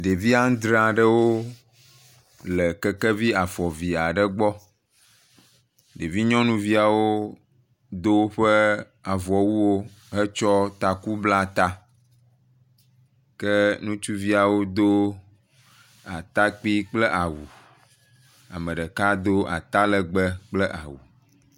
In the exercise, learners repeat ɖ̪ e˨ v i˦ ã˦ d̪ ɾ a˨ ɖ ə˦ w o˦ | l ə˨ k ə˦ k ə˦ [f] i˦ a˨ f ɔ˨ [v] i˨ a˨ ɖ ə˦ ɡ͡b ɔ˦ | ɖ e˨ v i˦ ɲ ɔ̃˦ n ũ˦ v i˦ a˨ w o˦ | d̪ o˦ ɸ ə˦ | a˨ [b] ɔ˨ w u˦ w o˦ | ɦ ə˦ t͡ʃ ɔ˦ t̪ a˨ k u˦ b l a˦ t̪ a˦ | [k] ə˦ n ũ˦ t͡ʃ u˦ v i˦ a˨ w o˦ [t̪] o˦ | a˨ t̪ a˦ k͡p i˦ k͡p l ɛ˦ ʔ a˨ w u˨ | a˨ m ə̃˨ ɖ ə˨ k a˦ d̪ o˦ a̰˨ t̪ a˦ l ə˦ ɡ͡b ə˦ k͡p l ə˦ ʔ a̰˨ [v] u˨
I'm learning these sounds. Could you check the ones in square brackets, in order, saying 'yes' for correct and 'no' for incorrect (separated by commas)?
no, yes, no, yes, no, no